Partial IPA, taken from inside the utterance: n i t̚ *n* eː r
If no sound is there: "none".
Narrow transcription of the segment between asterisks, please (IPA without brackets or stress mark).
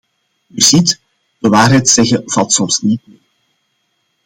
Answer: m